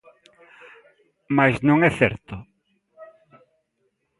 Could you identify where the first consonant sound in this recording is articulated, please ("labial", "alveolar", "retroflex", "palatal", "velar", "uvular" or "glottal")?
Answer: labial